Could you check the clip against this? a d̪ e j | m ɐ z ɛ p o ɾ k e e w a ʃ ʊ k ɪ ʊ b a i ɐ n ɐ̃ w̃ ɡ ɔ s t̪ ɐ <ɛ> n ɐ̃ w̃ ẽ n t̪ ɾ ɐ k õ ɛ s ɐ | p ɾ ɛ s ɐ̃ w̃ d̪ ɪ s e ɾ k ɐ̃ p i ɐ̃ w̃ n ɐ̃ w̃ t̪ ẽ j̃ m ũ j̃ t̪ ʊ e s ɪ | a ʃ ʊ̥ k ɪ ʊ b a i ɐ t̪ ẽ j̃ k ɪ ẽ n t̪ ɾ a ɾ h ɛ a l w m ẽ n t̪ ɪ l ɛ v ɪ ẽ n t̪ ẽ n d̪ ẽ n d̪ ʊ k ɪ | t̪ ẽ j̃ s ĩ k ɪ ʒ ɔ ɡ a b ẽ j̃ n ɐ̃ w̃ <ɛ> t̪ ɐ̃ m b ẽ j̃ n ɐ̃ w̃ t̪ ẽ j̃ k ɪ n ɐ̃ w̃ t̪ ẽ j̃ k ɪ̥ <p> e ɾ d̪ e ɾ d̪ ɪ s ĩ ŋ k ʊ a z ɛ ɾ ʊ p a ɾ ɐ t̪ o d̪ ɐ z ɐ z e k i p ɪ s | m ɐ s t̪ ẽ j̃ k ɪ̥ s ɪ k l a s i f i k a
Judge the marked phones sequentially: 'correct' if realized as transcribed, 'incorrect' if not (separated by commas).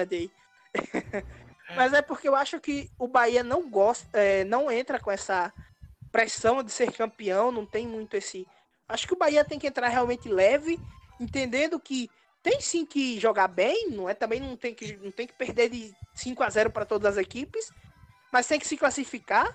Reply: correct, correct, correct